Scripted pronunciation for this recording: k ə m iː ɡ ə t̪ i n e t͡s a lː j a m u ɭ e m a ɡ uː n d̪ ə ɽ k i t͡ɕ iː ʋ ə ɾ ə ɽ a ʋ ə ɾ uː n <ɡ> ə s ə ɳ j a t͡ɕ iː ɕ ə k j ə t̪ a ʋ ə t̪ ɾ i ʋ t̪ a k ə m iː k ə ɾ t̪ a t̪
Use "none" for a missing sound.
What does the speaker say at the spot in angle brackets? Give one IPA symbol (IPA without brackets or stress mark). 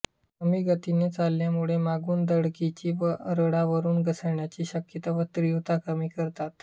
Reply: ɡ